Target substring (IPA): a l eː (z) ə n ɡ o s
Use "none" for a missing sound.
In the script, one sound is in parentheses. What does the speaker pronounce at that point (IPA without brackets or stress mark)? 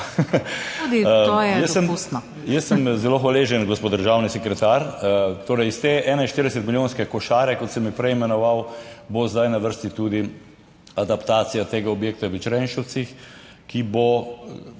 ʒ